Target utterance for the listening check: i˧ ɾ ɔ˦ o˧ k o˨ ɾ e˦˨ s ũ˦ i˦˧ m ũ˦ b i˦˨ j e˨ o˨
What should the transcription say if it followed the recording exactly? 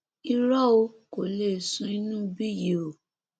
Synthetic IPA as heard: i˧ ɾ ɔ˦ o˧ k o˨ l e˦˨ s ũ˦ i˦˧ n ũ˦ b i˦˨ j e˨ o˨